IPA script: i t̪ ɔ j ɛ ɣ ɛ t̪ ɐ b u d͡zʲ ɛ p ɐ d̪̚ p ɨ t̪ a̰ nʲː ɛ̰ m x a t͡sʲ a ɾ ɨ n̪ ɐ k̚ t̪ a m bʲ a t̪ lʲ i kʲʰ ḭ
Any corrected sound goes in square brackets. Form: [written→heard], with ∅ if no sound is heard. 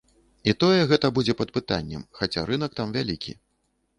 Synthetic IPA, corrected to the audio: i t̪ ɔ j ɛ ɣ ɛ t̪ ɐ b u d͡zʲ ɛ p ɐ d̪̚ p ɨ t̪ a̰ nʲː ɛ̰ m x a t͡sʲ a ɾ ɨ n̪ ɐ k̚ t̪ a m [bʲ→vʲ] a [t̪→∅] lʲ i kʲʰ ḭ